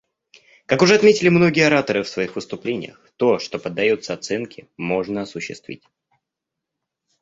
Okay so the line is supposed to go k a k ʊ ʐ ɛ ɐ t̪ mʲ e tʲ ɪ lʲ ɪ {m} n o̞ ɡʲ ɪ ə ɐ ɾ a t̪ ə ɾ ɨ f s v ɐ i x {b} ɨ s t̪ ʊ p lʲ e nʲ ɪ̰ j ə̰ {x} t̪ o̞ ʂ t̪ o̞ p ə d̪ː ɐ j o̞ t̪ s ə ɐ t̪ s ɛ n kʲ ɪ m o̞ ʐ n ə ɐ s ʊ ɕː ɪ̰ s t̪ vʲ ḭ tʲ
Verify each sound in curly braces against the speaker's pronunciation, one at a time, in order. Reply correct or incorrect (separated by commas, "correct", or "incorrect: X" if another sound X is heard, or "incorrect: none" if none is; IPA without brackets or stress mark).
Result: correct, incorrect: v, correct